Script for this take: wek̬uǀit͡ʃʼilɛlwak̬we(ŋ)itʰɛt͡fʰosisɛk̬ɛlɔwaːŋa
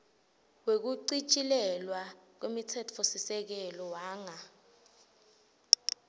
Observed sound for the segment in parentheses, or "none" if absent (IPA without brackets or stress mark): m